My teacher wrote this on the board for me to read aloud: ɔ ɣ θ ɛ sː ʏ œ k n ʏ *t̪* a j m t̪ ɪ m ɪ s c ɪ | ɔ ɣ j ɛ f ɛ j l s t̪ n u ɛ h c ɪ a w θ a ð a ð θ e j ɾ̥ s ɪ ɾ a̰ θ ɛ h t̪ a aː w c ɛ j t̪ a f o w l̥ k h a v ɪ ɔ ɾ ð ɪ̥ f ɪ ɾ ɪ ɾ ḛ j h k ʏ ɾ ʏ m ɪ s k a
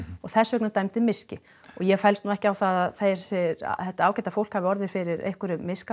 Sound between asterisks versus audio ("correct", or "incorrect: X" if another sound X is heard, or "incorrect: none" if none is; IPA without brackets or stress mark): correct